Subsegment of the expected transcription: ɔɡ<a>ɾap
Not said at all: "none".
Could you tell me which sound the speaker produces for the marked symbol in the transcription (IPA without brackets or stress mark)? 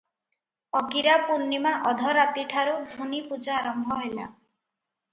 i